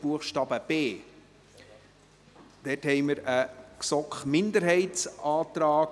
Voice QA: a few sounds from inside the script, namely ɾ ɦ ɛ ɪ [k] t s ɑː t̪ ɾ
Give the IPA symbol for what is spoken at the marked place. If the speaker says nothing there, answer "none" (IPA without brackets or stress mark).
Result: none